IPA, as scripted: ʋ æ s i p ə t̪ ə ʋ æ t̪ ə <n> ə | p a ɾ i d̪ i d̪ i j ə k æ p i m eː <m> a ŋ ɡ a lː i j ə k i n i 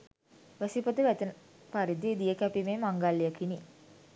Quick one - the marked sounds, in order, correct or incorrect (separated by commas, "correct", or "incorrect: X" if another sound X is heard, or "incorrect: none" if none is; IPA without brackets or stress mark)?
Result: correct, correct